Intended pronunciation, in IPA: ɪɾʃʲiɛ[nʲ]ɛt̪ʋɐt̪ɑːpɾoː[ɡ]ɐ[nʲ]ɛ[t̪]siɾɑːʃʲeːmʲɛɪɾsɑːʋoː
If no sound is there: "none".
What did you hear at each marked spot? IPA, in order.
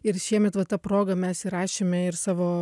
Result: mʲ, ɡ, mʲ, none

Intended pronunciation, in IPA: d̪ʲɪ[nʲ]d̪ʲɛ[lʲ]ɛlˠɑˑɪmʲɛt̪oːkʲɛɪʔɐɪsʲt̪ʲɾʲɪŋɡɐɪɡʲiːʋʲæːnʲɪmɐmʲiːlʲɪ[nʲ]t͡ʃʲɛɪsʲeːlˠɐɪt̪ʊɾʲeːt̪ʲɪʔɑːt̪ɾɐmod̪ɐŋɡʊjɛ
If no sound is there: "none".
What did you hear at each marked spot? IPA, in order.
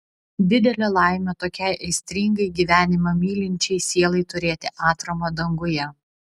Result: none, lʲ, nʲ

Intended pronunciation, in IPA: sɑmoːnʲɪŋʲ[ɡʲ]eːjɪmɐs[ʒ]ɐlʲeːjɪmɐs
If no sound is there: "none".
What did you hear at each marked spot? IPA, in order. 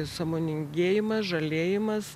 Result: ɡʲ, ʒ

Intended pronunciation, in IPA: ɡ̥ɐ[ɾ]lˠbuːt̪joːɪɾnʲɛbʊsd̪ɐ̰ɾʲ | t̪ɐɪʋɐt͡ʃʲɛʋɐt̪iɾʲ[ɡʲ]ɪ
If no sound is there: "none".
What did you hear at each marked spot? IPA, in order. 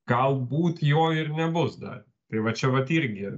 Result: none, ɡʲ

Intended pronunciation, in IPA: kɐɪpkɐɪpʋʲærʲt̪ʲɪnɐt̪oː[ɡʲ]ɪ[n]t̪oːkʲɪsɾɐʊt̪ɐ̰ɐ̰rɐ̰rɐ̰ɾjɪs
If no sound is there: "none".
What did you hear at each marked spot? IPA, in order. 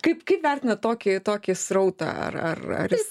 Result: kʲ, none

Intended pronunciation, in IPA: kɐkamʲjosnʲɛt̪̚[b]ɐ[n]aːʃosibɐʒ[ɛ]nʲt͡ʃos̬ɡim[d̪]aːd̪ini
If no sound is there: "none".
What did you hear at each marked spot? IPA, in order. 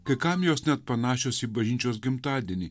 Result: p, n, i, t̪

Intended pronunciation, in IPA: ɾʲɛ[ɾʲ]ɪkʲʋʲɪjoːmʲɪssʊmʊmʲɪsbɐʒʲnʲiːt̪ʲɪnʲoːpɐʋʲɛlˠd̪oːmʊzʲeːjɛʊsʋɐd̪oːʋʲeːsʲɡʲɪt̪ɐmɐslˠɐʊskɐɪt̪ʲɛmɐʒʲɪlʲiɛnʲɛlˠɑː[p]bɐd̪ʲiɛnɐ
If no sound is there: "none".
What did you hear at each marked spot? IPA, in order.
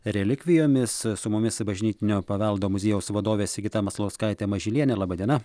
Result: lʲ, none

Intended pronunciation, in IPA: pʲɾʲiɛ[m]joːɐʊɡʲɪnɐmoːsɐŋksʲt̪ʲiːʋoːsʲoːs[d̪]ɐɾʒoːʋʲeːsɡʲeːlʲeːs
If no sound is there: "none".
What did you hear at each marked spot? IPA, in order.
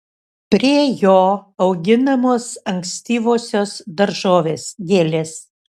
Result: none, d̪

